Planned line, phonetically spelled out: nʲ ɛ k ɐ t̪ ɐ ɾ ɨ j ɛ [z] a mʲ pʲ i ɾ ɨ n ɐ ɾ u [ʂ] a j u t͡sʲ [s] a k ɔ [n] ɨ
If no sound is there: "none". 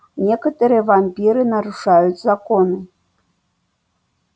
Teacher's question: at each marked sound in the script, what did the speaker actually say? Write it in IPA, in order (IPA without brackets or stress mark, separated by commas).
v, ʂ, z, n